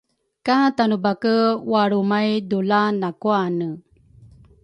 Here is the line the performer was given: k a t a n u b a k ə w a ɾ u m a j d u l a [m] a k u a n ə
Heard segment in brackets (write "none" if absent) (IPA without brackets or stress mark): n